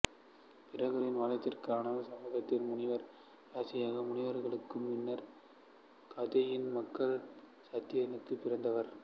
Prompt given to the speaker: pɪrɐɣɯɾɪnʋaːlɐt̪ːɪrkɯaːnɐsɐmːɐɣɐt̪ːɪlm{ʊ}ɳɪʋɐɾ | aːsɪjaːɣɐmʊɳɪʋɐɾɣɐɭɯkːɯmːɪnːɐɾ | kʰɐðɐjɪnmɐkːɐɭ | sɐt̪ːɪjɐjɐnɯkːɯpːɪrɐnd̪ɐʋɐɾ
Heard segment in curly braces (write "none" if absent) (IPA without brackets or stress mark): ʊ